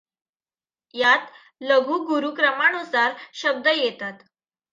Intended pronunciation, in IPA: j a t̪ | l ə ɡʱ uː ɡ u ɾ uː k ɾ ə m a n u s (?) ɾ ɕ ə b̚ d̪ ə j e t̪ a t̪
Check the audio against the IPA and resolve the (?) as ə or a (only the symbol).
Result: a